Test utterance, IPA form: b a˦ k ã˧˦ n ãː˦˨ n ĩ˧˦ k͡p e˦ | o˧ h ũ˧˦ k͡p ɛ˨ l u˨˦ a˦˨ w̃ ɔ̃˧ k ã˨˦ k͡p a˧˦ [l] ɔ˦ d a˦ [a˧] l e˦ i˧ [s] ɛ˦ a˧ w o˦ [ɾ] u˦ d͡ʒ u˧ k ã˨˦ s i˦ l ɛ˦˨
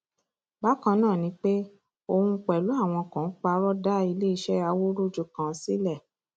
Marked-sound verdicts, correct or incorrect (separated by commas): incorrect, incorrect, incorrect, correct